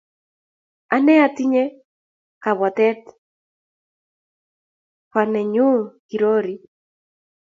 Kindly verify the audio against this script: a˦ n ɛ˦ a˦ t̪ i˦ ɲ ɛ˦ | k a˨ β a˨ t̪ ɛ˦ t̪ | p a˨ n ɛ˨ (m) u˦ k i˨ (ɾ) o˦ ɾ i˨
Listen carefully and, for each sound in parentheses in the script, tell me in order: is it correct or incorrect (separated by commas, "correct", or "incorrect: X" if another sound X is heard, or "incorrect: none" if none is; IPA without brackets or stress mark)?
incorrect: ɲ, correct